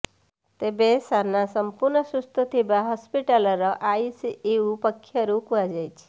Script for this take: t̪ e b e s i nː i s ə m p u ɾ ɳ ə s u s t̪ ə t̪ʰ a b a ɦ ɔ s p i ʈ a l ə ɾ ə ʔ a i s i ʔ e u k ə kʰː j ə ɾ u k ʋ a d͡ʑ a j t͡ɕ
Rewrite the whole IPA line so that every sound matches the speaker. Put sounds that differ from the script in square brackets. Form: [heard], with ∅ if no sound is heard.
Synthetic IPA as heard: t̪ e b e s [a] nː [a] s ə m p u ɾ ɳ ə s u s t̪ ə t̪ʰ [i] b a ɦ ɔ s p i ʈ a l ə ɾ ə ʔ a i s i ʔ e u [p] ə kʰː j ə ɾ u k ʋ a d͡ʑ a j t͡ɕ